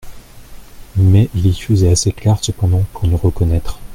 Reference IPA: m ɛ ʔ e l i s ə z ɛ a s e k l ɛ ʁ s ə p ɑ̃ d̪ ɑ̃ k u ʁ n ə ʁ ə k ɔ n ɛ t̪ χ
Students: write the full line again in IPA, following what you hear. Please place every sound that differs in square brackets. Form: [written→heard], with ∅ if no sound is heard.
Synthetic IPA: m ɛ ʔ [e→i] l i [s→f] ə z ɛ a s e k l ɛ ʁ s ə p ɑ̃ d̪ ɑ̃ [k→p] u ʁ n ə ʁ ə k ɔ n ɛ t̪ χ

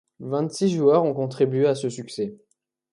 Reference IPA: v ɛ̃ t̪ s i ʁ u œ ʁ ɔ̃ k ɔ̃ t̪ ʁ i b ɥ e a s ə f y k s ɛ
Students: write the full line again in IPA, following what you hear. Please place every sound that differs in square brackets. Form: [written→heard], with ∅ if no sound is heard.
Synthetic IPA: v ɛ̃ t̪ s i [ʁ→ʒ] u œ ʁ ɔ̃ k ɔ̃ t̪ [ʁ→χ] i b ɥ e a s ə [f→s] y k s ɛ

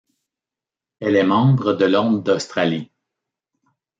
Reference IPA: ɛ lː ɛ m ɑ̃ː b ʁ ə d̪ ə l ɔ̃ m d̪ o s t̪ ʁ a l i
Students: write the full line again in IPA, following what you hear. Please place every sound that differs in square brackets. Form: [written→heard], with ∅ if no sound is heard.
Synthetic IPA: ɛ [lː→l] ɛ m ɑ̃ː b ʁ ə d̪ ə l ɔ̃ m d̪ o s t̪ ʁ a l i

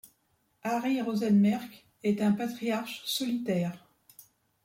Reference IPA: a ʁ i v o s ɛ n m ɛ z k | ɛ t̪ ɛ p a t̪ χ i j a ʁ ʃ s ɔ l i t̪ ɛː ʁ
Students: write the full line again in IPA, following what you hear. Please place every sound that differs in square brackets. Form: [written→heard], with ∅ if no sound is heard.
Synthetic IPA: a ʁ i [v→ʁ] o [s→z] ɛ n m ɛ [z→ʁ] k | ɛ t̪ [ɛ→ɛ̃] p a t̪ χ i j a ʁ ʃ s ɔ l i t̪ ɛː ʁ

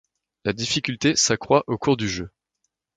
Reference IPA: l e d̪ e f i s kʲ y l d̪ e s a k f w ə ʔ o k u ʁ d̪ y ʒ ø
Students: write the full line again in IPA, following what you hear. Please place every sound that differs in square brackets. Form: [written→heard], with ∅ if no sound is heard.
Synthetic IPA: l [e→a] d̪ [e→i] f i [s→∅] kʲ y l [d̪→t̪] e s a k [f→χ] w [ə→a] ʔ o k u ʁ d̪ y ʒ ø

